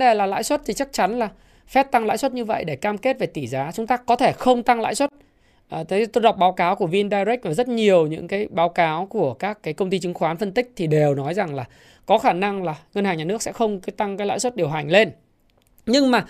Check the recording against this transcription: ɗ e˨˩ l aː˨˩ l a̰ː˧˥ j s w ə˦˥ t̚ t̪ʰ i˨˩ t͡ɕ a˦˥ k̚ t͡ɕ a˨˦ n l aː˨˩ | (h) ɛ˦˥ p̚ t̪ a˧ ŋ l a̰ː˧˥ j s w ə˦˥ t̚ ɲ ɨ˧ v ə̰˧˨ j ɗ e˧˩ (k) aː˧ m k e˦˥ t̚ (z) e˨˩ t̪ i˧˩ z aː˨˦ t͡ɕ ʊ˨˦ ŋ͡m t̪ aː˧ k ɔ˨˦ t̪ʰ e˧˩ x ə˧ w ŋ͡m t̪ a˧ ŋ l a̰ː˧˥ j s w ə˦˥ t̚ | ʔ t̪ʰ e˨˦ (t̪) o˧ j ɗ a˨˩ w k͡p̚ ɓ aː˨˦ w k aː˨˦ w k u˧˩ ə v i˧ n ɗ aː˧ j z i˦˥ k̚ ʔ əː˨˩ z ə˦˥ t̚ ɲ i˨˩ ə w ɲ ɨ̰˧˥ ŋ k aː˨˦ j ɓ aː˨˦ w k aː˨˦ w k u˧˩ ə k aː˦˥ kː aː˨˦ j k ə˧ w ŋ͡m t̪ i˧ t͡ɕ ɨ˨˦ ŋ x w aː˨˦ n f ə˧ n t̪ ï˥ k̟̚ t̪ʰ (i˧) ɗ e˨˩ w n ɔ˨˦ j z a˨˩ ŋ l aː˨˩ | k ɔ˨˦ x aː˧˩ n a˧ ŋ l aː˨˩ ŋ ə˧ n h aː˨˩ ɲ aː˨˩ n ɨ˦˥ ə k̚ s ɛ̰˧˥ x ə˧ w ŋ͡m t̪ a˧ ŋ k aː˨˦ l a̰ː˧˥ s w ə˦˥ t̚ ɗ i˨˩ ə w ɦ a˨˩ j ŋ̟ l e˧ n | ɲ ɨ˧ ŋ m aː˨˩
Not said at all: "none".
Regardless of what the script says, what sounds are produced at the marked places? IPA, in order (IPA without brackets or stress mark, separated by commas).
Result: f, k, v, t̪, i˨˩